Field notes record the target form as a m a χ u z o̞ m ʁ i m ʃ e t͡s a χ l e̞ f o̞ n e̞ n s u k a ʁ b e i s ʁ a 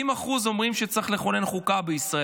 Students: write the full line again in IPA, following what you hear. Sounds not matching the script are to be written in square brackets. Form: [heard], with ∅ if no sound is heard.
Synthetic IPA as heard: [i] m a χ u z o̞ m ʁ i m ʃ e t͡s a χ l e̞ [χ] o̞ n e̞ n [χ] u k a [∅] b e i s ʁ a

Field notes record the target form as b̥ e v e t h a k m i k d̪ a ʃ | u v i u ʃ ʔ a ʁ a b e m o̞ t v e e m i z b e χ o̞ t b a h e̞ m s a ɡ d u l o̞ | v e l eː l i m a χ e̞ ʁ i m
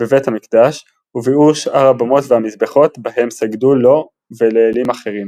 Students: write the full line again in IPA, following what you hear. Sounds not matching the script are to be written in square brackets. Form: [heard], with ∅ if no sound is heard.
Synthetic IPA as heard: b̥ e v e t h a [∅] m i k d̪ a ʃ | u v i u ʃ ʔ a ʁ a b [a] m o̞ t v e [a] m i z b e χ o̞ t b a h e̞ m s a ɡ d u l o̞ | v e l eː l i m a χ e̞ ʁ i m

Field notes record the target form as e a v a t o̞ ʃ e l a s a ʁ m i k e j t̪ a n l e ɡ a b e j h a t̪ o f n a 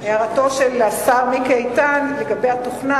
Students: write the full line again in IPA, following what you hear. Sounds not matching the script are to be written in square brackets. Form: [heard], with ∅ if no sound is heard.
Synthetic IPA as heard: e a [ʁ] a t o̞ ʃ e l a s a ʁ m i k e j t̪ a n l e ɡ a b e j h a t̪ o [χ] n a

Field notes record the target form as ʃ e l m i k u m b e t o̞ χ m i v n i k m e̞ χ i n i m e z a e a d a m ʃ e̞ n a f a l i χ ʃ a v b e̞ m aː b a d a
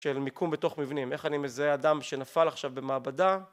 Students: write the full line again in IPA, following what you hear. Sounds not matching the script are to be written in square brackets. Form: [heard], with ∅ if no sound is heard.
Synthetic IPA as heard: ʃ e l m i k u m b e t o̞ χ m i v n i [∅] m e̞ χ [a] n i m e z a e a d a m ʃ e̞ n a f a l [a] χ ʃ a v b e̞ m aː b a d a

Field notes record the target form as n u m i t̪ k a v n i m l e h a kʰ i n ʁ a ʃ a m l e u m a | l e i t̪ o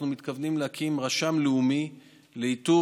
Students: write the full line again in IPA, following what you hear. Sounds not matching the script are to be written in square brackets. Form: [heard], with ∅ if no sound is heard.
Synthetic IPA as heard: n u m i t̪ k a v n i m l e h a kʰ i [m] ʁ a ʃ a m l e u m [i] | l e i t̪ [u]

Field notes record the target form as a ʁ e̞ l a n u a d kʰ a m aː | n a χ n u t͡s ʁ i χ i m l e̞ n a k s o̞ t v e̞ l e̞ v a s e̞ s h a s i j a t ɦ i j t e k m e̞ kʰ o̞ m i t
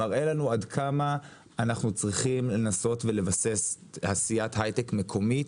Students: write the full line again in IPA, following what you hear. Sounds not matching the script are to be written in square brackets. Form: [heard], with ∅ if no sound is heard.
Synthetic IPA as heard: a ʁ e̞ l a n u a d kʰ a m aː | n a χ n u t͡s ʁ i χ i m l e̞ n a [∅] s o̞ t v e̞ l e̞ v a s e̞ s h a s i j a t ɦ [a] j t e k m e̞ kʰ o̞ m i t

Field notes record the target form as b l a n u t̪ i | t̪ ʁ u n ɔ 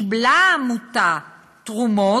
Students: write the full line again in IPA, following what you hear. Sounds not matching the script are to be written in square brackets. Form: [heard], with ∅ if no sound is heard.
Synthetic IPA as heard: b l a [m] u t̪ [a] | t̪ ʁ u [m] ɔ

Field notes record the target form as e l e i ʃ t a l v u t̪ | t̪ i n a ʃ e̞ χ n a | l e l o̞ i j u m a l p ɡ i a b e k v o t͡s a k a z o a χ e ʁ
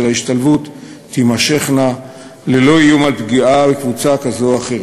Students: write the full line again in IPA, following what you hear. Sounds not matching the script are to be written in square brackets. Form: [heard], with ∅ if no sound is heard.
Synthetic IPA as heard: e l [a] i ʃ t a l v u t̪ | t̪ i [m] a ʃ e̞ χ n a | l e l o̞ i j u m a l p ɡ i a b e k v [u] t͡s a k a z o a χ e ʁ

